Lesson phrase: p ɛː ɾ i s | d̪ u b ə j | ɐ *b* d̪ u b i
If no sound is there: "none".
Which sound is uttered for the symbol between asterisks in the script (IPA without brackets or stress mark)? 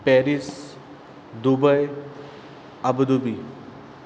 b